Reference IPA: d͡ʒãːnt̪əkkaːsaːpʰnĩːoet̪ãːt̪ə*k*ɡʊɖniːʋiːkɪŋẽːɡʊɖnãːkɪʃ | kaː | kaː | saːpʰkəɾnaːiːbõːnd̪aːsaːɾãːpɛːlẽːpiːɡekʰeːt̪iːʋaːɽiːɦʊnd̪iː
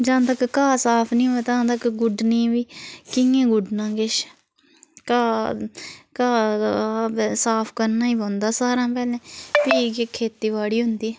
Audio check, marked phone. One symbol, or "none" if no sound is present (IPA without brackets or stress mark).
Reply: k